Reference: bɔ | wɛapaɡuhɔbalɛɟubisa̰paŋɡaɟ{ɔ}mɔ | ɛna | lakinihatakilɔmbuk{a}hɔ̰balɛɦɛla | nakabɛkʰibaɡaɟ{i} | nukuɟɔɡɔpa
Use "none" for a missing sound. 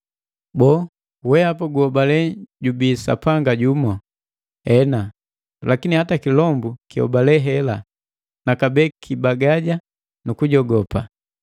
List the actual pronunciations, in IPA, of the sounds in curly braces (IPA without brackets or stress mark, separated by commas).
u, i, a